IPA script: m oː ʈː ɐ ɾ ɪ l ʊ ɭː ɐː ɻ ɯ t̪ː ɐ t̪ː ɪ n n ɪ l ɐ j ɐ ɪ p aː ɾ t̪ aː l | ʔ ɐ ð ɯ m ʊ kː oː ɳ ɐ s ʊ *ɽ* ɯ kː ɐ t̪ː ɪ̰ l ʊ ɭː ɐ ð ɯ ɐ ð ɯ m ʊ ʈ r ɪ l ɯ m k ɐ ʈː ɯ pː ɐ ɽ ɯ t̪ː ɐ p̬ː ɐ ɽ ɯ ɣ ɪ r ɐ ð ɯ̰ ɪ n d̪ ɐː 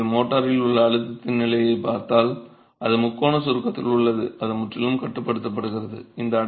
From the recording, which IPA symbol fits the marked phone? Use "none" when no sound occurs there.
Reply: ɾ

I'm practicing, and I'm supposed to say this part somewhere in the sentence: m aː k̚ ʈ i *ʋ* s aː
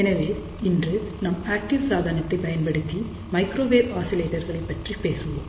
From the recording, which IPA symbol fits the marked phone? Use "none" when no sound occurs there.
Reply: ʋ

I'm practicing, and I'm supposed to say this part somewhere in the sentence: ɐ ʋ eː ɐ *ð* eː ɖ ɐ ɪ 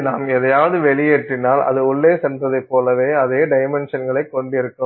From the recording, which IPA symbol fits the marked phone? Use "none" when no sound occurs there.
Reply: ð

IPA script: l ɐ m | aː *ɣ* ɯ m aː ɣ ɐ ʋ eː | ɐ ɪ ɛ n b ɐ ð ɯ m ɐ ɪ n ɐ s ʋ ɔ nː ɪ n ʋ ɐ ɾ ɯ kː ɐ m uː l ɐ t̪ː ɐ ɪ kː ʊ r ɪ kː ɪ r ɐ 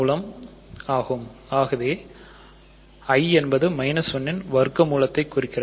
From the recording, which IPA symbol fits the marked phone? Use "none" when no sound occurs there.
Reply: ɣ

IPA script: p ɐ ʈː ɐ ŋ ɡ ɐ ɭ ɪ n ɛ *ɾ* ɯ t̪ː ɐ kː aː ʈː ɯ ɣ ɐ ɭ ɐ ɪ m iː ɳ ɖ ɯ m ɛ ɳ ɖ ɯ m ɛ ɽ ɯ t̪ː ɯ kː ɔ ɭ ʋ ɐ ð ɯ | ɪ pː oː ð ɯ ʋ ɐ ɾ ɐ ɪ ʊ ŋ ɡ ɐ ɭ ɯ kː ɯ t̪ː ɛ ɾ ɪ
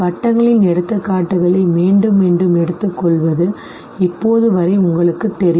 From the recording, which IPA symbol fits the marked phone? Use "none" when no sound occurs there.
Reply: ɽ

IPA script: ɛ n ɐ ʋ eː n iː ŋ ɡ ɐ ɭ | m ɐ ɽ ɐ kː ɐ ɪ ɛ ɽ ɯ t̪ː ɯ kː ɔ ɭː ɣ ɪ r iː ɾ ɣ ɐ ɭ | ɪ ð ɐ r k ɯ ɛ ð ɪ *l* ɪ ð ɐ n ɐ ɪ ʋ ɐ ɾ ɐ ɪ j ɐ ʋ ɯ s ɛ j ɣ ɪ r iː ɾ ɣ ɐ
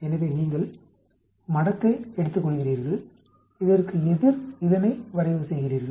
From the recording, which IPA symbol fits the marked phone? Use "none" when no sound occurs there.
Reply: ɾ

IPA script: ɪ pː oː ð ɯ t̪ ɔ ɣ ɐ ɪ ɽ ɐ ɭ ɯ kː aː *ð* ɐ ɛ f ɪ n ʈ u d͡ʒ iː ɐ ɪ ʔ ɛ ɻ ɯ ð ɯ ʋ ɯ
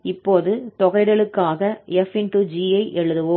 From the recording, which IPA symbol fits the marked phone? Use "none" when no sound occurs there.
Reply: ɣ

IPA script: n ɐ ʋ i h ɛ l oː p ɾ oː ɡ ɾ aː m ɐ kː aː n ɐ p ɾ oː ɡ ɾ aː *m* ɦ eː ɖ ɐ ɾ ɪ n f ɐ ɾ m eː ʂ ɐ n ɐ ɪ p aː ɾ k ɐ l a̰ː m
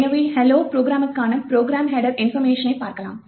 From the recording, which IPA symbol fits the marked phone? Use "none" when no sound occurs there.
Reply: m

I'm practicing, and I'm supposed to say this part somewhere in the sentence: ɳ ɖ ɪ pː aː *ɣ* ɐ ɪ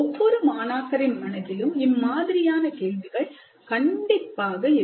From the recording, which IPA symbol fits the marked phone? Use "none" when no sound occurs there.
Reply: ɣ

